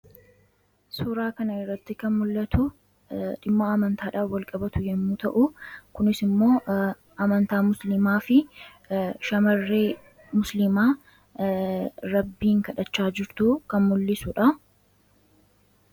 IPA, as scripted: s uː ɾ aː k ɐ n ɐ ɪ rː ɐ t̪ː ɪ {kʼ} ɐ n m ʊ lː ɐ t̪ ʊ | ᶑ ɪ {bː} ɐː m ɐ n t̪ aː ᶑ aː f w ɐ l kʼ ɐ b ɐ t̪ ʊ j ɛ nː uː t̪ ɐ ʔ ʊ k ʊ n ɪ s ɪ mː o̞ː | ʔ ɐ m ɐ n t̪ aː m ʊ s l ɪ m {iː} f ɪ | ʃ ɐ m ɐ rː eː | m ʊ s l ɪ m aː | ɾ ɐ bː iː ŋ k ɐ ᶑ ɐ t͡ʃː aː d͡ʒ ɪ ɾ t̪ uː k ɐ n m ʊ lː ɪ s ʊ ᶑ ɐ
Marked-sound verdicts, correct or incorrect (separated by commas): incorrect, incorrect, incorrect